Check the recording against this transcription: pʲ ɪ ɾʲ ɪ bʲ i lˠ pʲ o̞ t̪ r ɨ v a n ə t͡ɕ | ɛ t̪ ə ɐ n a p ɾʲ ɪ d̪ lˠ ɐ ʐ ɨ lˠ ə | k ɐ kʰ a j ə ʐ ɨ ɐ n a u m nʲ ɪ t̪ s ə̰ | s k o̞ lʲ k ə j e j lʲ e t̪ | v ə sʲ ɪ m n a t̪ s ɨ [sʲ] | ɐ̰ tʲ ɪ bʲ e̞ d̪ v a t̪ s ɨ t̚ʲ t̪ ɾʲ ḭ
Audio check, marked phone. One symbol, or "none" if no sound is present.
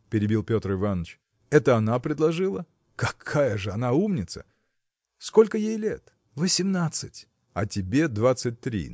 tʲ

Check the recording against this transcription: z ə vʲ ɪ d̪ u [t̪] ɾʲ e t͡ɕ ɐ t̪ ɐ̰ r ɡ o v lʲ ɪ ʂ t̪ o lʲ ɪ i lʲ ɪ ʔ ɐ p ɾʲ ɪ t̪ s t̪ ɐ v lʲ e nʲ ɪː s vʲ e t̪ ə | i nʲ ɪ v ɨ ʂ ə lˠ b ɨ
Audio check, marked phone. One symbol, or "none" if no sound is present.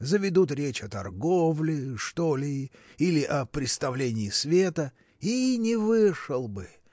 t̪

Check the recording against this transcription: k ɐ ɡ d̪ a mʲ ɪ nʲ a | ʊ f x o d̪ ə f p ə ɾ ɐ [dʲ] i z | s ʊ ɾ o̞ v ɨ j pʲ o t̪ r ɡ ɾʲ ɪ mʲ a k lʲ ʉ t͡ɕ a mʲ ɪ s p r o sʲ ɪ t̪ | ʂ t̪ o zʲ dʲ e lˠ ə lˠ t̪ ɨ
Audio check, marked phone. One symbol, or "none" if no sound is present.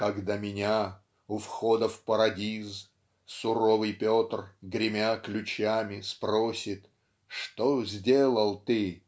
dʲ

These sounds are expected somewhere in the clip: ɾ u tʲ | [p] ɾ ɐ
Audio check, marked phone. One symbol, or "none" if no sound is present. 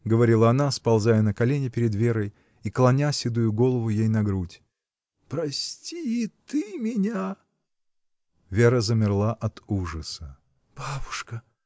p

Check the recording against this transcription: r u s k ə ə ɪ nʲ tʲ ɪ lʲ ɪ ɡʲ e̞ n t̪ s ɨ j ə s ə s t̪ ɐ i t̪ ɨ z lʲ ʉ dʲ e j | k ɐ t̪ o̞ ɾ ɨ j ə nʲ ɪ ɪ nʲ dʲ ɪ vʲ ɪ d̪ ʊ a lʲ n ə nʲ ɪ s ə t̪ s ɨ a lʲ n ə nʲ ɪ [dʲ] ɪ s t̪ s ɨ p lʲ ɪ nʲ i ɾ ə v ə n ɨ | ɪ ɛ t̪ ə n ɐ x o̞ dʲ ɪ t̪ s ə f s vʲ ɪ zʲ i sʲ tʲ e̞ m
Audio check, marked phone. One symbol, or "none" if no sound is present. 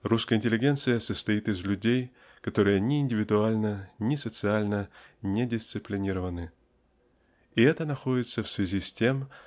dʲ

